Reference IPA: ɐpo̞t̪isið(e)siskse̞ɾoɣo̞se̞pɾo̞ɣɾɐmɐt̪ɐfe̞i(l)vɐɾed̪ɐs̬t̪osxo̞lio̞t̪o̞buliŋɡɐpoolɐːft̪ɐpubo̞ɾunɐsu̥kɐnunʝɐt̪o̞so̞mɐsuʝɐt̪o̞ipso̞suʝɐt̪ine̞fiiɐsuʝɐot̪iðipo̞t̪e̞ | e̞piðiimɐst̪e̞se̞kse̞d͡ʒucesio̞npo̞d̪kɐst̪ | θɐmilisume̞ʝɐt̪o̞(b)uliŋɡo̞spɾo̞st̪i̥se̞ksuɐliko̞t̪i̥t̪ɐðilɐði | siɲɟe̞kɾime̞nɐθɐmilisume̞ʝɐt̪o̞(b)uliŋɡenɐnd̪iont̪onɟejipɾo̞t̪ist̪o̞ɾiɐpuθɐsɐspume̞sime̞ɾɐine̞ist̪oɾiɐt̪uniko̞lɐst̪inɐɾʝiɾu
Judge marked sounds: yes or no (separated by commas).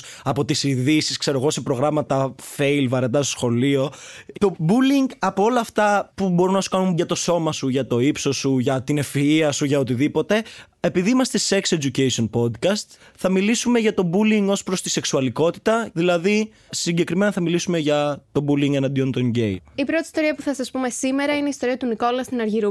no, yes, yes, yes